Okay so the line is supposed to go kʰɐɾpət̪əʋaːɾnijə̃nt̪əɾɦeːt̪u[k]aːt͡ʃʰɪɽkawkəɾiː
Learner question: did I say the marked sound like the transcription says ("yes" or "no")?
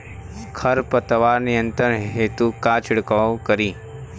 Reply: yes